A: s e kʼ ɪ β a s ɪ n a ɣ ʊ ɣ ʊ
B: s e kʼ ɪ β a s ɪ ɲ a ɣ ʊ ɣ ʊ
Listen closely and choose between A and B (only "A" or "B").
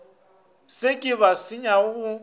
B